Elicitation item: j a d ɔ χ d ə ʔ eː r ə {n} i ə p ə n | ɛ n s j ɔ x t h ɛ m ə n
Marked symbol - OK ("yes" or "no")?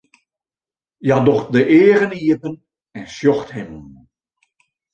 yes